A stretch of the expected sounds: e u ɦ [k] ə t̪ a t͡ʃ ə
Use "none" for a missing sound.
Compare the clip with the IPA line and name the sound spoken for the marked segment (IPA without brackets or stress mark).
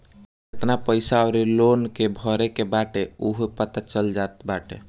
p